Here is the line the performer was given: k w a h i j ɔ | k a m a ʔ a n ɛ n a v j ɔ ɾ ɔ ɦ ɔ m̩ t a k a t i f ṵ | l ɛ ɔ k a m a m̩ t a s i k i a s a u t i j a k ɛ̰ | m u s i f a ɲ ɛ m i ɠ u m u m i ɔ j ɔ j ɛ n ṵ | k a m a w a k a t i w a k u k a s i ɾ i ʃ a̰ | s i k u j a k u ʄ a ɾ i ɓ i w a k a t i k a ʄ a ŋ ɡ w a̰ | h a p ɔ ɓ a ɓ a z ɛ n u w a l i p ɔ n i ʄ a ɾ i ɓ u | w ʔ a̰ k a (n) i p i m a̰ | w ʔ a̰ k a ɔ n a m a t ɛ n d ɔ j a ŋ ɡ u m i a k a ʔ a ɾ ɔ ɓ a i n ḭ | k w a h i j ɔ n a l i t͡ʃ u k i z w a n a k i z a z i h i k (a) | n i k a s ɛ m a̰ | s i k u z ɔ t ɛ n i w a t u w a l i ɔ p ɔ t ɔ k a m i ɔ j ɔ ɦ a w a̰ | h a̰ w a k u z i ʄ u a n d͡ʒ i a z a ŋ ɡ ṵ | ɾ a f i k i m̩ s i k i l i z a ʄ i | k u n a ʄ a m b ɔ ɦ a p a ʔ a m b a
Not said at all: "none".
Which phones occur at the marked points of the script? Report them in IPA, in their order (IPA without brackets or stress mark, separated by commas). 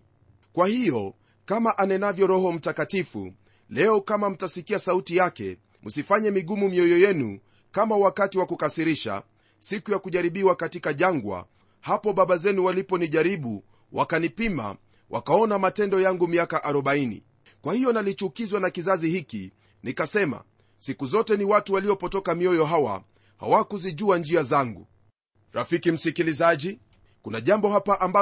n, i